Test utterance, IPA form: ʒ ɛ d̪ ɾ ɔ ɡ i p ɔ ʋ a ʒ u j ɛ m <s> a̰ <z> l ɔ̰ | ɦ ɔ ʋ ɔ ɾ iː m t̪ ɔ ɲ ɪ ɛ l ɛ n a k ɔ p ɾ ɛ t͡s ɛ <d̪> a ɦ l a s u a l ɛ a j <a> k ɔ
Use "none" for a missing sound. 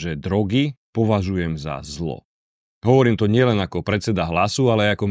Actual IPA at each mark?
z, z, d̪, a

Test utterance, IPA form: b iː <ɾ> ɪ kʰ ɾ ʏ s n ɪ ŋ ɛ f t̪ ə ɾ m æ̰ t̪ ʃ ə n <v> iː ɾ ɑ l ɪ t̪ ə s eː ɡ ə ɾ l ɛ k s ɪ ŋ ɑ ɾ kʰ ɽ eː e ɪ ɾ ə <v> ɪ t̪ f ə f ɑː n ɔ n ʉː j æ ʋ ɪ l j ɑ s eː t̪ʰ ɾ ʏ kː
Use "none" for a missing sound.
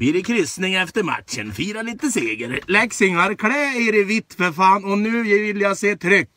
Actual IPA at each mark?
ɾ, f, ʋ

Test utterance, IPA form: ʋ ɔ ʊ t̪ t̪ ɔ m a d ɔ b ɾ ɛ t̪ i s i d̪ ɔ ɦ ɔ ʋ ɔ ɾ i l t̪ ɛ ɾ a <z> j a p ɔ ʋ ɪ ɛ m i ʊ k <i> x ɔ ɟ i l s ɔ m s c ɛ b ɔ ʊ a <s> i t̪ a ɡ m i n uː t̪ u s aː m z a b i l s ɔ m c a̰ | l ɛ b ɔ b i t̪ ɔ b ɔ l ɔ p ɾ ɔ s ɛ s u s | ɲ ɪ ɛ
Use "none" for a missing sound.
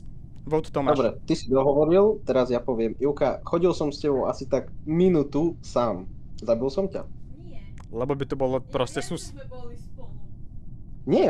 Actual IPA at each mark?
z, a, s

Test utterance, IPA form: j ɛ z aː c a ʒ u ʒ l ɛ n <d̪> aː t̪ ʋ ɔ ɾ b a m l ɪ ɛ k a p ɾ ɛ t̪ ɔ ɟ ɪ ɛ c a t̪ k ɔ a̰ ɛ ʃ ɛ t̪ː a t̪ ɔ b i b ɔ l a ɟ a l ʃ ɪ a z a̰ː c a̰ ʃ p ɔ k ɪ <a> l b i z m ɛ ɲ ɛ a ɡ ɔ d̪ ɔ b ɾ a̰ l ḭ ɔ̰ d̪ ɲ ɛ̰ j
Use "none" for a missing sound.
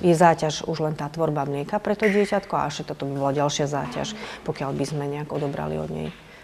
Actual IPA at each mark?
t̪, a

